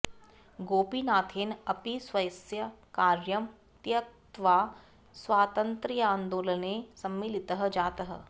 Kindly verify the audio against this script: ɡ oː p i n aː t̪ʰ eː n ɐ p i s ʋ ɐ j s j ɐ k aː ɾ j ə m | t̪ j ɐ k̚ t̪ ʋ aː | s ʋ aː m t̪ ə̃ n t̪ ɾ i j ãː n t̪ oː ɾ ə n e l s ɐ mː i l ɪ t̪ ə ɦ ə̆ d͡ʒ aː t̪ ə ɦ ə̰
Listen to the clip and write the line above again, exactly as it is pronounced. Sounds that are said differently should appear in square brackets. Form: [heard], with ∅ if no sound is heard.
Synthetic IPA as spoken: ɡ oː p i n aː t̪ʰ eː n ɐ p i s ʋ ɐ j s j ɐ k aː ɾ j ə m | t̪ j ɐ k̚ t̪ ʋ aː | s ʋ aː [∅] t̪ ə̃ n t̪ ɾ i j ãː n [d̪] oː [l] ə n e [∅] s ɐ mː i l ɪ t̪ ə ɦ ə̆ d͡ʒ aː t̪ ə ɦ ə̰